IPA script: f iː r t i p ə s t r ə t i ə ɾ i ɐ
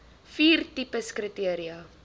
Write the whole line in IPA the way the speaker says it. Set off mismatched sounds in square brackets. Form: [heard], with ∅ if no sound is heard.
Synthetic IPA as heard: f iː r t i p ə s [k] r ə t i ə ɾ i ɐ